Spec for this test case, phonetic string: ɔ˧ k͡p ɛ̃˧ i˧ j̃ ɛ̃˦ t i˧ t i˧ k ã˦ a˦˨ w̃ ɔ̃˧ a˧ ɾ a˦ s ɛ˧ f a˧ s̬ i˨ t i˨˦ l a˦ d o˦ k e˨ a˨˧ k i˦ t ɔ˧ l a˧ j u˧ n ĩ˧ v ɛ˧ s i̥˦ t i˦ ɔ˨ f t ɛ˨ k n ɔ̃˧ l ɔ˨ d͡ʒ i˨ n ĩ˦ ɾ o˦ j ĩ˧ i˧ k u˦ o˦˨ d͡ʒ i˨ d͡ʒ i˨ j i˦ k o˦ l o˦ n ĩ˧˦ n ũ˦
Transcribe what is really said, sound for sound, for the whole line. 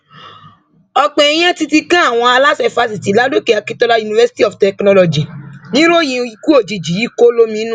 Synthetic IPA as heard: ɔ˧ k͡p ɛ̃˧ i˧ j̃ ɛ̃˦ t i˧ t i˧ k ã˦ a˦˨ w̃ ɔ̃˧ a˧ l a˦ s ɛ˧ f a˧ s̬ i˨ t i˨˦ l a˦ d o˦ k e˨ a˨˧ k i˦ t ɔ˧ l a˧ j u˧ n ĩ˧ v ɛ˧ s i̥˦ t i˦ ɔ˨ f t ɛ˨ k n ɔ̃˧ l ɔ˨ d͡ʒ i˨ n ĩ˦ ɾ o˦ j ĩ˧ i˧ k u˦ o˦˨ d͡ʒ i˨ d͡ʒ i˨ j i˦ k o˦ l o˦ m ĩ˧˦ n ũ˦